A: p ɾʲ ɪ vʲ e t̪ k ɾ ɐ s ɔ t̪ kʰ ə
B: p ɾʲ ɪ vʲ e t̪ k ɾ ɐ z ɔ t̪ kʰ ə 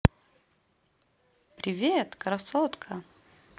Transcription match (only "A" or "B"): A